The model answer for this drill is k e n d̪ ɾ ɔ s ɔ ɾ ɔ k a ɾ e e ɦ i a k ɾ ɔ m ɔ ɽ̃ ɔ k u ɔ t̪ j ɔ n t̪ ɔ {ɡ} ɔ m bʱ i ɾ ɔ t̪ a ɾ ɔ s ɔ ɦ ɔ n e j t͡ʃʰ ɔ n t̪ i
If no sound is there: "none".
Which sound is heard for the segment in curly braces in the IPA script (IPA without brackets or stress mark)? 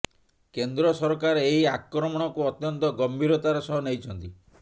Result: ɡ